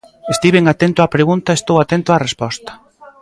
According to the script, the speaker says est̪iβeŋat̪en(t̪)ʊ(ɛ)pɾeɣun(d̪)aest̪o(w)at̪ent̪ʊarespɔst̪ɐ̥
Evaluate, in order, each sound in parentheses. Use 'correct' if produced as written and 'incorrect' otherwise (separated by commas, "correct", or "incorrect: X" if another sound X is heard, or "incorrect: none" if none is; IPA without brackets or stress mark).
correct, incorrect: a, incorrect: t̪, correct